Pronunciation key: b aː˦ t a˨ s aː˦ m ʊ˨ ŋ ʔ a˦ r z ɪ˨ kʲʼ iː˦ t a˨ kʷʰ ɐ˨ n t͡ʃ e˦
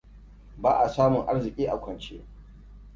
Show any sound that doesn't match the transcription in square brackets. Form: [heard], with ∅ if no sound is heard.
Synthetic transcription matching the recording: b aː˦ [ʔ] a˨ s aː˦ m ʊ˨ ŋ ʔ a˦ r z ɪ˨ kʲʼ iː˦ [ʔ] a˨ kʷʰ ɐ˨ n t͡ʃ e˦